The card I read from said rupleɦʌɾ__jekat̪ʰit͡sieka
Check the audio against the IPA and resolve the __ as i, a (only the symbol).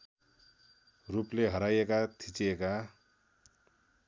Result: a